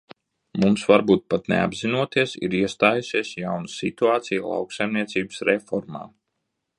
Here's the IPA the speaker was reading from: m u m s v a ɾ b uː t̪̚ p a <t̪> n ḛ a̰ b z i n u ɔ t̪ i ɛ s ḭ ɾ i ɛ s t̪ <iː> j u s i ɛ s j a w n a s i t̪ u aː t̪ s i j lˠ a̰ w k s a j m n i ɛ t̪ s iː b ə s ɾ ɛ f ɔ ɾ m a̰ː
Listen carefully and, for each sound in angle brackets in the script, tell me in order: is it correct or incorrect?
correct, incorrect: aː

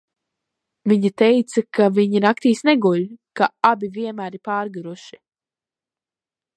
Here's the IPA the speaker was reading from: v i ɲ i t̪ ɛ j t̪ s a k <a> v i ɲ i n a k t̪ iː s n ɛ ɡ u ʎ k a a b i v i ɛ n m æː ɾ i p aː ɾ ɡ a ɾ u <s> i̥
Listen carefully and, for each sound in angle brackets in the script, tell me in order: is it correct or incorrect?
correct, incorrect: ʃ

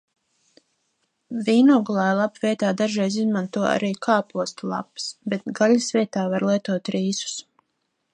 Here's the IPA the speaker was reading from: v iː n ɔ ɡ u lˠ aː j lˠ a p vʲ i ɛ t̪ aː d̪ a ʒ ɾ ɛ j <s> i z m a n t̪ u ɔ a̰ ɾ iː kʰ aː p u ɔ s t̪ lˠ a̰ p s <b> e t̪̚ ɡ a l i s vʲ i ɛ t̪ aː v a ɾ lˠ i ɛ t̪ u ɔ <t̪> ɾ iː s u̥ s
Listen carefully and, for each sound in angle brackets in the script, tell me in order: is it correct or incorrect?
incorrect: z, correct, correct

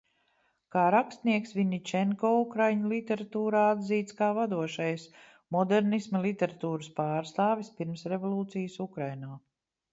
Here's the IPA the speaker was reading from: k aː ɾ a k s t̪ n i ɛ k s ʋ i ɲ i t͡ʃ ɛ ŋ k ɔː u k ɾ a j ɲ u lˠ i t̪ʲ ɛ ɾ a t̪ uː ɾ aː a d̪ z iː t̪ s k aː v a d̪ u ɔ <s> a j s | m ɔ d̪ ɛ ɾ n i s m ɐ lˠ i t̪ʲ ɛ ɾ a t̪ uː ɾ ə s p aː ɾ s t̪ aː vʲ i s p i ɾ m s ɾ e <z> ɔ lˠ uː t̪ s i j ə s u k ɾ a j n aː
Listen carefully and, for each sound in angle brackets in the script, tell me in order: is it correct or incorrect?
incorrect: ʃ, incorrect: v

